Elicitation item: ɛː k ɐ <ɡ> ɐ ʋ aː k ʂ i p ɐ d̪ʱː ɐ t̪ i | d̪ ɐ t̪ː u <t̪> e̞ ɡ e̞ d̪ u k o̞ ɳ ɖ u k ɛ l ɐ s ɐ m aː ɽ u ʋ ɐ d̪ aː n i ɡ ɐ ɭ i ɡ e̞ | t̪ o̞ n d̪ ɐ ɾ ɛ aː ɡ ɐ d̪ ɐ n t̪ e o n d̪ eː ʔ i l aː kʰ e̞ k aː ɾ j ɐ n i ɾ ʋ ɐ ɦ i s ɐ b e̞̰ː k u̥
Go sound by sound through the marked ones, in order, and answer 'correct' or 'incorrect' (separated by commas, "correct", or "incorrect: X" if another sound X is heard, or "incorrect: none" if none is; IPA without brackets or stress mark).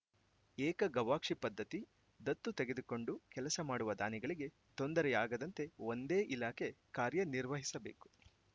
correct, correct